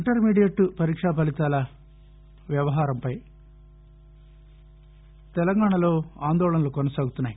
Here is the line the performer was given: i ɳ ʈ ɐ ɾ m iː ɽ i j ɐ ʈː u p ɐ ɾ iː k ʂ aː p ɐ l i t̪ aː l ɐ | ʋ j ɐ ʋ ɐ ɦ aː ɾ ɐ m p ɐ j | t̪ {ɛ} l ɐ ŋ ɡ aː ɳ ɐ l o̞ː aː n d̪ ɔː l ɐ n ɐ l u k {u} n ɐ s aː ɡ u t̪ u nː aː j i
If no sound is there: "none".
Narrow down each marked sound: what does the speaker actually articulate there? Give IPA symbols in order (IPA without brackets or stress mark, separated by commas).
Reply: ɛ, ɔ